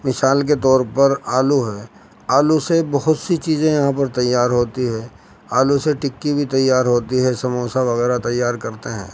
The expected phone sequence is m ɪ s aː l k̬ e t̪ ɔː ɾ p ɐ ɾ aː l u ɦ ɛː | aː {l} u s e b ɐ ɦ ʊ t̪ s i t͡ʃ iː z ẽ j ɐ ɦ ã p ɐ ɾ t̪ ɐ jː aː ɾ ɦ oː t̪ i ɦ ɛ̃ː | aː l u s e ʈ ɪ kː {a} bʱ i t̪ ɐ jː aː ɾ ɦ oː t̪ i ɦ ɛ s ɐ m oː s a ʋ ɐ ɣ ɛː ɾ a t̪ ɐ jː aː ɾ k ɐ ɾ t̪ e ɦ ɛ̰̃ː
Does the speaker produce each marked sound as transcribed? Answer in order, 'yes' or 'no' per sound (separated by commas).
yes, no